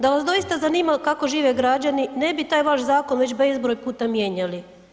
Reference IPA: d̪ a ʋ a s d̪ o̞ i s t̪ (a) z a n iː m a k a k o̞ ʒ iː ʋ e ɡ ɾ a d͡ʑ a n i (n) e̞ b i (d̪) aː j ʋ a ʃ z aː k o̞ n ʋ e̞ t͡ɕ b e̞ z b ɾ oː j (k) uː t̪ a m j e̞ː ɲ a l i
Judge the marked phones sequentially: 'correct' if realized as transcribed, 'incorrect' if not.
correct, correct, incorrect: t̪, incorrect: p

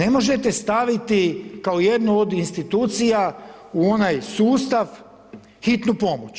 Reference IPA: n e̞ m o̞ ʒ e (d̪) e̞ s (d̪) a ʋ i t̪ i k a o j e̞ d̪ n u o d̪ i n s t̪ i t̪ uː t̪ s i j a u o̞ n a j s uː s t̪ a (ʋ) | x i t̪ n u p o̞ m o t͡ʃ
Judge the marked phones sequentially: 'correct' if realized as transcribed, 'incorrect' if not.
incorrect: t̪, incorrect: t̪, correct

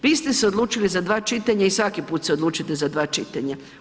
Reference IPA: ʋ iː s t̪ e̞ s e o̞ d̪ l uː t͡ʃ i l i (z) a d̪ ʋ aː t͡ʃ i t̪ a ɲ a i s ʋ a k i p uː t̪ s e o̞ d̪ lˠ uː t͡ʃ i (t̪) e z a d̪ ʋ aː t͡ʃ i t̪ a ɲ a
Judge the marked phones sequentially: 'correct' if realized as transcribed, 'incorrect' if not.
correct, correct

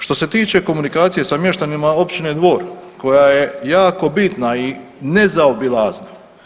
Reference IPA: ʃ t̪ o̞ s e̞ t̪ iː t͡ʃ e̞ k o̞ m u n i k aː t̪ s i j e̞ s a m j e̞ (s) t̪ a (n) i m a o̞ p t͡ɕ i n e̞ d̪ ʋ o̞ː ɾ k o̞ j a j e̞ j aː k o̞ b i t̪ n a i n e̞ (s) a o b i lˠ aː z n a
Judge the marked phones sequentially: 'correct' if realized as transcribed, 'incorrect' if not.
incorrect: ʃ, correct, incorrect: z

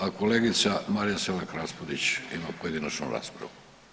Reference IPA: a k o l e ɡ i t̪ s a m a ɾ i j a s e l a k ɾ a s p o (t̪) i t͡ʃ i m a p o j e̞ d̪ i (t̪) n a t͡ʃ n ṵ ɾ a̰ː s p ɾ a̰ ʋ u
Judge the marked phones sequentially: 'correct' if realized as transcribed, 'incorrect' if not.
incorrect: d̪, incorrect: none

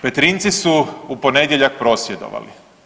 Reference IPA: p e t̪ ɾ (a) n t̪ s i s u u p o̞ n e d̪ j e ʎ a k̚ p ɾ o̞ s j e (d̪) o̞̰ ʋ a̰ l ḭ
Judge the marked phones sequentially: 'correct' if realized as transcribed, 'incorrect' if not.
incorrect: i, correct

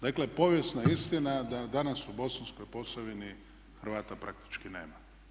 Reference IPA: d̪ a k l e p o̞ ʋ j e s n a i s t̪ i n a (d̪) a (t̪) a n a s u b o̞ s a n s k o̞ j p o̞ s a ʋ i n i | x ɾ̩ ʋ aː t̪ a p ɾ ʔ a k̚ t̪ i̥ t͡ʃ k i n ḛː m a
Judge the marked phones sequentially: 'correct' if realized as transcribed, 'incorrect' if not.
correct, incorrect: d̪

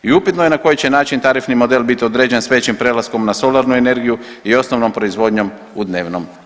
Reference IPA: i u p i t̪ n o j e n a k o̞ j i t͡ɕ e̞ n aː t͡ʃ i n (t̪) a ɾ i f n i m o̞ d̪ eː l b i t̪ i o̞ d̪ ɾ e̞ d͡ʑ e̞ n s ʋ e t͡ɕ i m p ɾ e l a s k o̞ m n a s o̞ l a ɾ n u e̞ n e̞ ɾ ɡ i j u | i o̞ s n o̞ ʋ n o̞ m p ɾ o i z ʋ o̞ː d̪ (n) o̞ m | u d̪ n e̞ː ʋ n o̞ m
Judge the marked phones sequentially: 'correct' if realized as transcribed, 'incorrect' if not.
correct, incorrect: ɲ

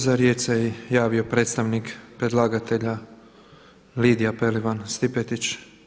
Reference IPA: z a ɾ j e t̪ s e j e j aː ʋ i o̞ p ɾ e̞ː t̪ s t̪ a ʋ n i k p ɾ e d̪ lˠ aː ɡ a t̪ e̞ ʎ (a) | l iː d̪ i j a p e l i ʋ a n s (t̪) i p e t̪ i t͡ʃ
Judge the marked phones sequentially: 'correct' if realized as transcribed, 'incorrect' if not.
correct, correct

